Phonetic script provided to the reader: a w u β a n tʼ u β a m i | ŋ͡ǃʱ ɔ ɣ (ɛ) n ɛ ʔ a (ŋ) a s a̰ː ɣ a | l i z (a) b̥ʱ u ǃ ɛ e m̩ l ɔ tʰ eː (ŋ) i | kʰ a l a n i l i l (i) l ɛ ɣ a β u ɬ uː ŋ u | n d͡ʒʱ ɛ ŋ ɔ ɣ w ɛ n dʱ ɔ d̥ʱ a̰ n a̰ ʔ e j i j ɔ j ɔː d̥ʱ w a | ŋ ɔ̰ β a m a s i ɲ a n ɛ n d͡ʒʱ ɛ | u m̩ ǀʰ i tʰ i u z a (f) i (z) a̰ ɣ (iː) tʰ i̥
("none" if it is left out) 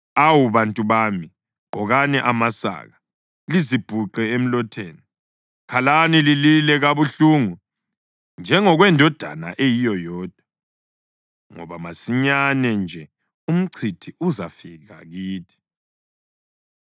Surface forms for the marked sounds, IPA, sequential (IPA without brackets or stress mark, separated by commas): a, m, i, n, i, f, ɣ, iː